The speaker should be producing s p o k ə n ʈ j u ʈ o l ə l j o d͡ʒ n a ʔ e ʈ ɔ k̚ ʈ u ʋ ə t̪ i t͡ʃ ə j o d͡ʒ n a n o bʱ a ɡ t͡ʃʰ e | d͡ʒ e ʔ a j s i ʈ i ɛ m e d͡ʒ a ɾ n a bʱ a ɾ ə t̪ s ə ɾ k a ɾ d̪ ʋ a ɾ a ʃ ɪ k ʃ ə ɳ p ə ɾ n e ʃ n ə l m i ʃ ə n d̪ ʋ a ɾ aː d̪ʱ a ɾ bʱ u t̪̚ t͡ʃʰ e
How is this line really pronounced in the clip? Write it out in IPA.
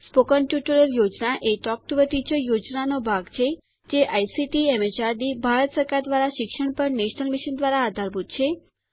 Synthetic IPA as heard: s p o k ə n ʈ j u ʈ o ɾ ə l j o d͡ʒ n a ʔ e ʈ ɔ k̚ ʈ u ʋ ə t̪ i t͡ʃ ə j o d͡ʒ n a n o bʱ a ɡ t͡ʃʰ e | d͡ʒ e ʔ a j s i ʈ i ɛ m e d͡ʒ a ɾ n i bʱ a ɾ ə t̪ s ə ɾ k a ɾ d̪ ʋ a ɾ a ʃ ɪ k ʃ ə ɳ p ə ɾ n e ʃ n ə l m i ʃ ə n d̪ ʋ a ɾ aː d̪ʱ a ɾ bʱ u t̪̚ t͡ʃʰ e